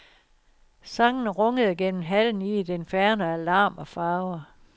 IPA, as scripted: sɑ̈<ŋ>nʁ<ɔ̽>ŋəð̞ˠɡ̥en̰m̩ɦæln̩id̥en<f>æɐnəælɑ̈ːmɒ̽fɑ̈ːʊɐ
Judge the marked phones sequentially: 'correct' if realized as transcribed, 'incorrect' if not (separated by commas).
correct, correct, correct